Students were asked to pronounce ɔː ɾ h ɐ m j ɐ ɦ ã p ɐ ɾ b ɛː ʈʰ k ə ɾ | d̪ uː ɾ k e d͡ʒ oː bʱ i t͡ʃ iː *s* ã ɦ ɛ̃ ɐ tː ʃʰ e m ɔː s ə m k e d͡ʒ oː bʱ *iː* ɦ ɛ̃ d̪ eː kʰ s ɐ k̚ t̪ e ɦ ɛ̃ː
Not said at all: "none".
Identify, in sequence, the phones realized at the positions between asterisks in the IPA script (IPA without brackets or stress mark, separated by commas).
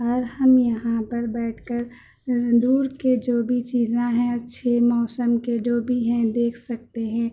z, i